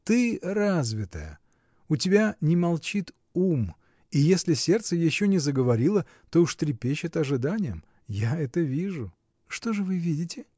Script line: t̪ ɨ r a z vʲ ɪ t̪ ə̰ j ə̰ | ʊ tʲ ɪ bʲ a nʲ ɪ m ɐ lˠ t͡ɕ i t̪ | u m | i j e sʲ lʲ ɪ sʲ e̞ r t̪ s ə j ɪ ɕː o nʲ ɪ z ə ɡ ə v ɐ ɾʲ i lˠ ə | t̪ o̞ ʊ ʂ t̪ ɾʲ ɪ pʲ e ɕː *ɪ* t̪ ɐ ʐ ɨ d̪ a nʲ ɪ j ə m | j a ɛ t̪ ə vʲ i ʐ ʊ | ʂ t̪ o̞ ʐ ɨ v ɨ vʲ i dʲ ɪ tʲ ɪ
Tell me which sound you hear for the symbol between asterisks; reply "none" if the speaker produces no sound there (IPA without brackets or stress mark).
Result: ɪ